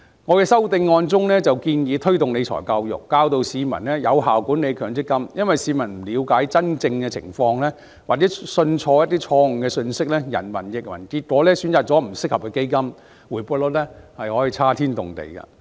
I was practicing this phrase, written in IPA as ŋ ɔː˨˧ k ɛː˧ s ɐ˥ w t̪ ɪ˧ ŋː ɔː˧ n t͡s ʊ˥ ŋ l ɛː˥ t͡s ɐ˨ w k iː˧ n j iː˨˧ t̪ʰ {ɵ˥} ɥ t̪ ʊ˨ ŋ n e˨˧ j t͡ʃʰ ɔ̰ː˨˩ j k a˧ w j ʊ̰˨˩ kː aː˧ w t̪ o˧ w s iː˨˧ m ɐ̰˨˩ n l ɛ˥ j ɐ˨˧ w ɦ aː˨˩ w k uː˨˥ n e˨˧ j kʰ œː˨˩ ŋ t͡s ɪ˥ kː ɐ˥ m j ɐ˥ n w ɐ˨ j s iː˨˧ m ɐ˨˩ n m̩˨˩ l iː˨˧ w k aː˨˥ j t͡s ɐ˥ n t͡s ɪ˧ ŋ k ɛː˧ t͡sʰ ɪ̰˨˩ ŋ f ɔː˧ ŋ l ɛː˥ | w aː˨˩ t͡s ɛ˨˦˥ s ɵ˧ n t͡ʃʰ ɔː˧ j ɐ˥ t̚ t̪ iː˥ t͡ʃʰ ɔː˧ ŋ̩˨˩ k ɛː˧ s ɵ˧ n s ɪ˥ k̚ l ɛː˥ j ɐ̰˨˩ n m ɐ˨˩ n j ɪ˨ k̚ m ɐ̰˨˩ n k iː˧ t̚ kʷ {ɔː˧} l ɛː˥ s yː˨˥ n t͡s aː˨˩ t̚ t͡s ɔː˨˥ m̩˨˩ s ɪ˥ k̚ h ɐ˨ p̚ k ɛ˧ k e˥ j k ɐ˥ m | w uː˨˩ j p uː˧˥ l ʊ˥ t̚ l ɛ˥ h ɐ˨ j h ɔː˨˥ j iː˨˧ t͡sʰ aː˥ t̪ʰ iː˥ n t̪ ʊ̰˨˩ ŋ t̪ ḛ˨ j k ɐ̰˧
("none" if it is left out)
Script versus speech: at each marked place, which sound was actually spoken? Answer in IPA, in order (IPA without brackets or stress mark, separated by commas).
ɵ˥, ɔː˨˥